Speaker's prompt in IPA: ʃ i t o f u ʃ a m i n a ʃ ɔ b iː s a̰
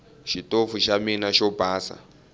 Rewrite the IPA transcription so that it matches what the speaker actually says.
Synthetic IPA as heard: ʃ i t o f u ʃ a m i n a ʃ ɔ b aː s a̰